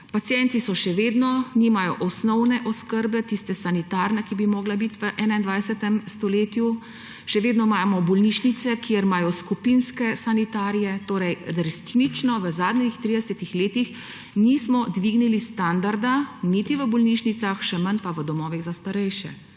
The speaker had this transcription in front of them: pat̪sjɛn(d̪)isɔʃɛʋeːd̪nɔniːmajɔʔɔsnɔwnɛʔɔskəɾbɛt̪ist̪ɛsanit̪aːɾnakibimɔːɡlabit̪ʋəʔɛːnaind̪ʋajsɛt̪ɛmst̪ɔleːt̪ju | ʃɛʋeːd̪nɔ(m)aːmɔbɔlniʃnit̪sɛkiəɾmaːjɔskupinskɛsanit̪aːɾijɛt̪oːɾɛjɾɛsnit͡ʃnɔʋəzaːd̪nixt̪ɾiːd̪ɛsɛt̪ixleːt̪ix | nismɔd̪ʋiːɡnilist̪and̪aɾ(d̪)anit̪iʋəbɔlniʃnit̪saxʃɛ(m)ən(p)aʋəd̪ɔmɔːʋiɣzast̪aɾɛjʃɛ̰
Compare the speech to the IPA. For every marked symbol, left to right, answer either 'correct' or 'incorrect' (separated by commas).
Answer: incorrect, correct, correct, correct, correct